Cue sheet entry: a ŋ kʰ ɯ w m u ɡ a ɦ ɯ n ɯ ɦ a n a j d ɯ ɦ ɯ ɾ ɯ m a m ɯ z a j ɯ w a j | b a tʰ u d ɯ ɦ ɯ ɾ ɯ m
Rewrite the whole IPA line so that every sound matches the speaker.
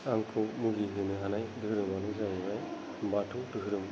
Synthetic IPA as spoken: a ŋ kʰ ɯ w m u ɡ i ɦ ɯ n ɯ ɦ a n a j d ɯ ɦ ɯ ɾ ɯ m a n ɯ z a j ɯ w a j | b a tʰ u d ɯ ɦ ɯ ɾ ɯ m